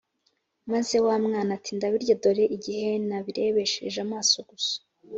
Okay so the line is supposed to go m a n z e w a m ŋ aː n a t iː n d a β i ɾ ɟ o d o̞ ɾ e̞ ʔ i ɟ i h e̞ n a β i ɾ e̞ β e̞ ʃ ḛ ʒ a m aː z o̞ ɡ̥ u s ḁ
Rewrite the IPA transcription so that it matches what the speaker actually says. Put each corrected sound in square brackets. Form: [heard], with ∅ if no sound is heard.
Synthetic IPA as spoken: m a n z e w a m ŋ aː n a t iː n d a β i ɾ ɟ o d o̞ ɾ e̞ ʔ i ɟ i h e̞ n a β i ɾ e̞ β e̞ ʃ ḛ ʒ a m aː [s] o̞ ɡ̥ u s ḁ